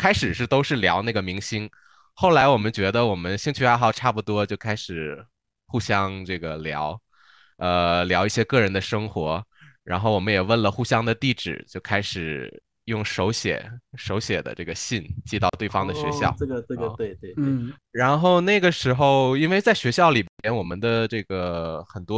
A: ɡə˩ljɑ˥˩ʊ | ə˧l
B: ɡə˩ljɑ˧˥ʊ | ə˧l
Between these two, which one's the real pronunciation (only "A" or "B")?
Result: B